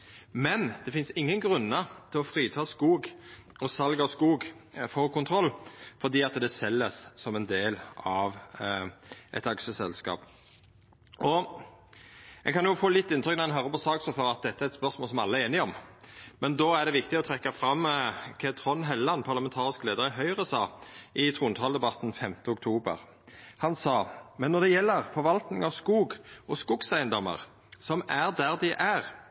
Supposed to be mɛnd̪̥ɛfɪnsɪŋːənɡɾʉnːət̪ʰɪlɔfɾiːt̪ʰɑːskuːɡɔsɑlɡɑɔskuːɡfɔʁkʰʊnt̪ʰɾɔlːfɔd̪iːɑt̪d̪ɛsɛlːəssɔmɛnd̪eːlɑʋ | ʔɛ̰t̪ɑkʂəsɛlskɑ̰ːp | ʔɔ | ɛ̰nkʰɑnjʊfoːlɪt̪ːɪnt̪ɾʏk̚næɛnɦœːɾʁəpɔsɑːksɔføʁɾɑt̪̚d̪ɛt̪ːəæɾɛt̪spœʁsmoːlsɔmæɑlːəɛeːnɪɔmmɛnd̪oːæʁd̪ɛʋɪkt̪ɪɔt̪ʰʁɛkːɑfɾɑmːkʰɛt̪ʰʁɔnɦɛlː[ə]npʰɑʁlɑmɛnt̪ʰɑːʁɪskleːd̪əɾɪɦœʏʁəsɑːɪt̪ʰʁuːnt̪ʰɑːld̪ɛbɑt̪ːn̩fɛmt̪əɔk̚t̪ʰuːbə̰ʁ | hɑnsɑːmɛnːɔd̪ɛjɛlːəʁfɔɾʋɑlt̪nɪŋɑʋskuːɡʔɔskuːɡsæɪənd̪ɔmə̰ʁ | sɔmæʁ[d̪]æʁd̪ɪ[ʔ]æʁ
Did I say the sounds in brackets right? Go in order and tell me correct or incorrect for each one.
incorrect: ɑ, correct, correct

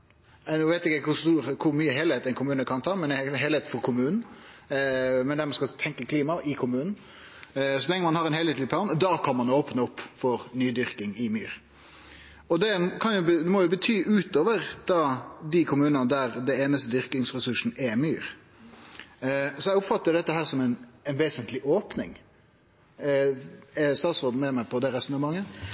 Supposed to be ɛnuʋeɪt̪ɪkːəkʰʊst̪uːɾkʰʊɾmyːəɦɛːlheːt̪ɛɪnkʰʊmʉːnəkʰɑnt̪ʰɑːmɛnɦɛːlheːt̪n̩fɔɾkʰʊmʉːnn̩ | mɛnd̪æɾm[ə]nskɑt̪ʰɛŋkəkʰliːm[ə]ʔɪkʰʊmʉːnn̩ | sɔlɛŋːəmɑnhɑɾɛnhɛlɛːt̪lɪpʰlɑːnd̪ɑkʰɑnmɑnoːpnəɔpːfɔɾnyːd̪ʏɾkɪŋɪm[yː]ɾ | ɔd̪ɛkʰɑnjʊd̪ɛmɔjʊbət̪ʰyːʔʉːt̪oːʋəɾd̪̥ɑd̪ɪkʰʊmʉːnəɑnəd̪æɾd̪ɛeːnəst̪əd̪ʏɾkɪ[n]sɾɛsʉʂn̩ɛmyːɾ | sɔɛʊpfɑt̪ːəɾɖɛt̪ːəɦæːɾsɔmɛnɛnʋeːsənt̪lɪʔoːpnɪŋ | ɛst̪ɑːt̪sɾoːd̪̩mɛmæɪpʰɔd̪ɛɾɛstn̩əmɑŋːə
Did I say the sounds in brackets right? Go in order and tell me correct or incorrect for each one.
incorrect: ɑ, incorrect: ɑ, correct, incorrect: ŋ

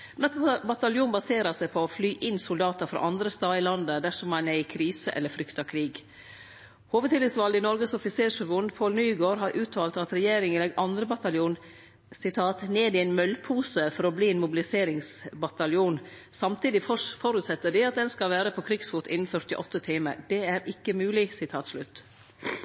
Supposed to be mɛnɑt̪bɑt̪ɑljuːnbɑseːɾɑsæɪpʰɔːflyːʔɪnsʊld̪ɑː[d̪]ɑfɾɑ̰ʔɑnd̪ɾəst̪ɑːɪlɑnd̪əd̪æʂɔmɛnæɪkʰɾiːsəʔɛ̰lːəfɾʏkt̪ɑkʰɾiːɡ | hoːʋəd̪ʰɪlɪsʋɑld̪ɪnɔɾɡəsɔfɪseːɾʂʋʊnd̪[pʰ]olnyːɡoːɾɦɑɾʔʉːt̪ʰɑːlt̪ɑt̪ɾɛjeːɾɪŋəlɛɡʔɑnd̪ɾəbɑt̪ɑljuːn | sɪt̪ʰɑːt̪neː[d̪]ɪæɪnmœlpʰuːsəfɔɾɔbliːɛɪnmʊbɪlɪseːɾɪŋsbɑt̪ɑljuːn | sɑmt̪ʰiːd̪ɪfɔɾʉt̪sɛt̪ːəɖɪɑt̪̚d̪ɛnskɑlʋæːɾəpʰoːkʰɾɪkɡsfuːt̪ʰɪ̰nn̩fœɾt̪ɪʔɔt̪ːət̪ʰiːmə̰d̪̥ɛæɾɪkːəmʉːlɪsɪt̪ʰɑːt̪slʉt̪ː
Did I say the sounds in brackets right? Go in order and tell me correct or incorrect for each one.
incorrect: t̪, correct, correct

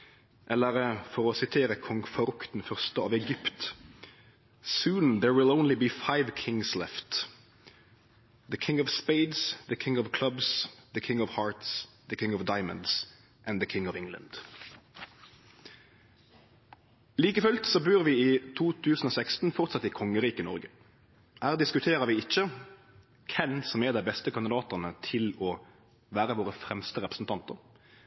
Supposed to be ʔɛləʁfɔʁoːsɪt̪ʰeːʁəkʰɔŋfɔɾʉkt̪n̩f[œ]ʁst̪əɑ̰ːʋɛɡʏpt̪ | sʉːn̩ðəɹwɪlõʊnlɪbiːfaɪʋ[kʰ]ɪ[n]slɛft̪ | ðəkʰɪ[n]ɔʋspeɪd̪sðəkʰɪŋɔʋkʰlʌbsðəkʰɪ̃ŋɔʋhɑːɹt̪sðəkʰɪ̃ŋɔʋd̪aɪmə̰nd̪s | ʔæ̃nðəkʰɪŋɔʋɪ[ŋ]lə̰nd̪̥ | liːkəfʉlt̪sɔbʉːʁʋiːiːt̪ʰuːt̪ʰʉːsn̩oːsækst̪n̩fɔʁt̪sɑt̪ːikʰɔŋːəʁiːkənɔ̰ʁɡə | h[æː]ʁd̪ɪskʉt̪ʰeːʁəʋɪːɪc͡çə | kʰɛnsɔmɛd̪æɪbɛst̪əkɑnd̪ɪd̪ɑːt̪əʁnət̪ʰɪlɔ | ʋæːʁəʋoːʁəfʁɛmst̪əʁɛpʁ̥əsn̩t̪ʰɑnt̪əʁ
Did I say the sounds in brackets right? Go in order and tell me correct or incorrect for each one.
correct, correct, incorrect: ŋ, incorrect: ŋ, correct, correct

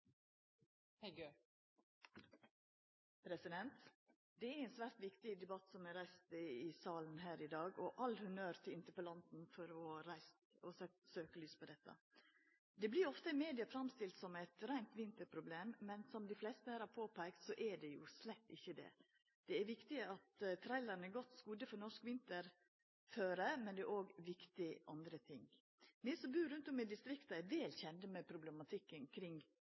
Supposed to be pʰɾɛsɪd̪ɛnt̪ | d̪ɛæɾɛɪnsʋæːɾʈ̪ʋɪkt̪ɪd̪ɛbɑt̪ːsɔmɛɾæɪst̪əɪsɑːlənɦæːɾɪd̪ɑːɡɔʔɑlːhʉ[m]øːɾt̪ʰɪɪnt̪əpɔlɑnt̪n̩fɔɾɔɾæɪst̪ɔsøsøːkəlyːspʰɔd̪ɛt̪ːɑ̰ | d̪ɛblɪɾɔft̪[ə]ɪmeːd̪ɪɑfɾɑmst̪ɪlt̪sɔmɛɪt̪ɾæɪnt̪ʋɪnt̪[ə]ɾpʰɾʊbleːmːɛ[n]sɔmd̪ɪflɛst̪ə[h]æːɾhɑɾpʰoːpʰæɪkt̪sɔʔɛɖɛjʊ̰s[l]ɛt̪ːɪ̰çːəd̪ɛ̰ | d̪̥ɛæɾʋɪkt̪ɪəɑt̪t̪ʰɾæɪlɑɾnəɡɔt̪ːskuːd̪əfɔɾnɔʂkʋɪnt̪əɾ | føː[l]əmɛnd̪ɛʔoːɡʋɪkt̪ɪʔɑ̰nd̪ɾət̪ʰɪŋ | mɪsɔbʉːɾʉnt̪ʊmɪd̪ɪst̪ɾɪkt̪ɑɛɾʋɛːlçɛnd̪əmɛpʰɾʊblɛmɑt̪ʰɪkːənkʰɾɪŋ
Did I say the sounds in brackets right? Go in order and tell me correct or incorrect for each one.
incorrect: n, correct, correct, correct, correct, correct, incorrect: ɾ

